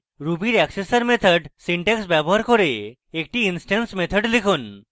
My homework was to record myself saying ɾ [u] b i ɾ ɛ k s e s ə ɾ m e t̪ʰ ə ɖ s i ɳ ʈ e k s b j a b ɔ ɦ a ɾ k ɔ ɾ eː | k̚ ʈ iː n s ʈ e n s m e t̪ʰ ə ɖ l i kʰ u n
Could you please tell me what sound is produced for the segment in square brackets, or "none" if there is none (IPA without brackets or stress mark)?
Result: u